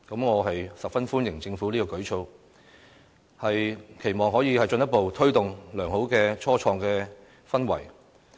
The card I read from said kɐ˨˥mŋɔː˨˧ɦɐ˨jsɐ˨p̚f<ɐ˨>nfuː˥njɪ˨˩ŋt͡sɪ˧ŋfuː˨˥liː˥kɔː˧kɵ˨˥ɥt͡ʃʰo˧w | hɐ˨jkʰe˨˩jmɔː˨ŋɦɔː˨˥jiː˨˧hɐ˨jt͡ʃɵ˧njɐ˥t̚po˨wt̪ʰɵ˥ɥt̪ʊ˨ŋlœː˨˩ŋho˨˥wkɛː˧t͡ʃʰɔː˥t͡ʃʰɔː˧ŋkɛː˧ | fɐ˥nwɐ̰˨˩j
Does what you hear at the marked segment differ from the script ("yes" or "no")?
yes